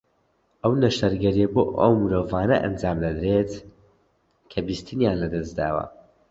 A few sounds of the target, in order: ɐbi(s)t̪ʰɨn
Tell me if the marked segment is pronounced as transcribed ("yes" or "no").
yes